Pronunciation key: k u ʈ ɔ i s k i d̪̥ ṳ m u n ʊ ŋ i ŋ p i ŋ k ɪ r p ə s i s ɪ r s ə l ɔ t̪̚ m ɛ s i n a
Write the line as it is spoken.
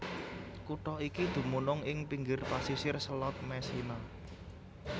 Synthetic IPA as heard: k u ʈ ɔ i k i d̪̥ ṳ m u n ʊ ŋ ɪ ŋ p i ŋ ɡ ɪ r p a s i s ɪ r s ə l ɔ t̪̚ m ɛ s i n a